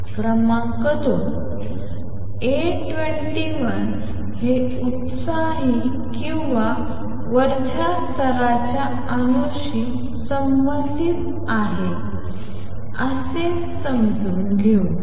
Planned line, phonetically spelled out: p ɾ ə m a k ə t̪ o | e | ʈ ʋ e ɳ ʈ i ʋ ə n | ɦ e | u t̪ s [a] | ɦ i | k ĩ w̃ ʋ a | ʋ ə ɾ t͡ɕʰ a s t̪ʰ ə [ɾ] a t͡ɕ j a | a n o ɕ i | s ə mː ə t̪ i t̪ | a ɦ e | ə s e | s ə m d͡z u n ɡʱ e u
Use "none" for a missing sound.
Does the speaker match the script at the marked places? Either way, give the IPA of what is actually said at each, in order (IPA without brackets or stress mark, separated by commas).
a, ɾ